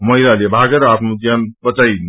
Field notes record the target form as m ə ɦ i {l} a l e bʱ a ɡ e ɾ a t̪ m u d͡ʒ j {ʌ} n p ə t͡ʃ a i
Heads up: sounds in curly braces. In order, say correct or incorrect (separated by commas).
correct, incorrect